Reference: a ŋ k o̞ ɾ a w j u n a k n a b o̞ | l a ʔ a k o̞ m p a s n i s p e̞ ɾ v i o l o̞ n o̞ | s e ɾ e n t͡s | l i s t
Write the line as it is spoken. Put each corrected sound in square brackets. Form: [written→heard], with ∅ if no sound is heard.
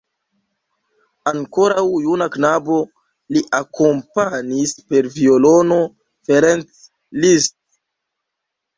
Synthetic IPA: a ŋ k o̞ ɾ a w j u n a k n a b o̞ | l [a→i] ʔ a k o̞ m p a [s→∅] n i s p e̞ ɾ v i o l o̞ n o̞ | [s→f] e ɾ e n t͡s | l i s t